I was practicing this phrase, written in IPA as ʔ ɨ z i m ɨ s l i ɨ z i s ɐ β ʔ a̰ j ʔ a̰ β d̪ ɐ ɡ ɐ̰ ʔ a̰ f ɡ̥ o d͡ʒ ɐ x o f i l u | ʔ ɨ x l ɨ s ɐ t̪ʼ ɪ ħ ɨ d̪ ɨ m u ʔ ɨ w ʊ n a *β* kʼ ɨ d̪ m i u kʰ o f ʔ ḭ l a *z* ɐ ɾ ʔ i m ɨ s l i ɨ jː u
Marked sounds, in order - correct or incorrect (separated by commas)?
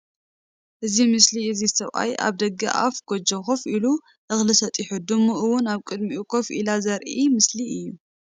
correct, correct